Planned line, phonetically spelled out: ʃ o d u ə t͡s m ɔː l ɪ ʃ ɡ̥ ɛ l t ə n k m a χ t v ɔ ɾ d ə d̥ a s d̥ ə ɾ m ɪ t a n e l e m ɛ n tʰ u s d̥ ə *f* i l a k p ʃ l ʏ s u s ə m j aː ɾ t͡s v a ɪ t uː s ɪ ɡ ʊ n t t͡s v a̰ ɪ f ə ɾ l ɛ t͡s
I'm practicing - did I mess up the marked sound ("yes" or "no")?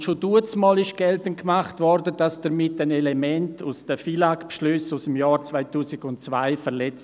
no